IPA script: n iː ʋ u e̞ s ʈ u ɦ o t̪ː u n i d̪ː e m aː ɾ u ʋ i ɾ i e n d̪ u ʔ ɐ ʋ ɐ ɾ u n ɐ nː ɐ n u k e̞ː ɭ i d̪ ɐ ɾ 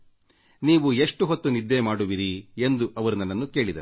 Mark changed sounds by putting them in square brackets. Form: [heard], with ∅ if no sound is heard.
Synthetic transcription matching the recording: n iː ʋ u e̞ [ʂ] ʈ u ɦ o t̪ː u n i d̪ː e m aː [ɽ] u ʋ i ɾ i e n d̪ u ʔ ɐ ʋ ɐ ɾ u n ɐ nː ɐ [nː] u k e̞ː ɭ i d̪ ɐ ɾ